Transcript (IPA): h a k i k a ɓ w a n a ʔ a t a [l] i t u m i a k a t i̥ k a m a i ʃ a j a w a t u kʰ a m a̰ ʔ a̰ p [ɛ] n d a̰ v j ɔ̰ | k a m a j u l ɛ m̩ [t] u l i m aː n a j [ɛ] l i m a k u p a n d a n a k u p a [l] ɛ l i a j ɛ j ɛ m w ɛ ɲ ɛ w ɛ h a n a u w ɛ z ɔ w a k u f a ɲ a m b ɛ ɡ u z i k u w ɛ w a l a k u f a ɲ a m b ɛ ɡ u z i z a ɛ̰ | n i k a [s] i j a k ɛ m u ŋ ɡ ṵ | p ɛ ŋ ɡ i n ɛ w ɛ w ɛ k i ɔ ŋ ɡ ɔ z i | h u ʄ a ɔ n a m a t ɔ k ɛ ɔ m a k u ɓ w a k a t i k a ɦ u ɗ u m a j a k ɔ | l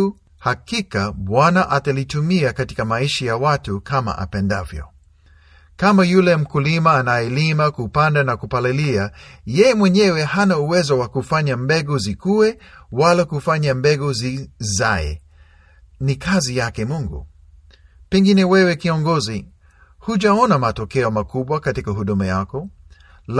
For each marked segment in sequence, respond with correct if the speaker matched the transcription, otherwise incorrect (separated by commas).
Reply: correct, correct, incorrect, correct, correct, incorrect